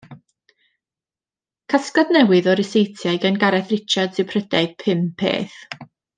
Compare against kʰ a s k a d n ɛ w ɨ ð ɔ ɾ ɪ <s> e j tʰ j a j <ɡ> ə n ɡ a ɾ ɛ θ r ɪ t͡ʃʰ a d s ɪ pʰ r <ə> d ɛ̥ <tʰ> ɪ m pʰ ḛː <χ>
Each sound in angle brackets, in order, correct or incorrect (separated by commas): correct, correct, correct, incorrect, incorrect